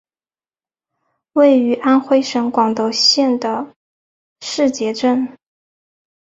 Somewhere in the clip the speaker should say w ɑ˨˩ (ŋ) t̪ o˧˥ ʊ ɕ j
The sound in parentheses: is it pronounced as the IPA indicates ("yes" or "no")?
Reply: yes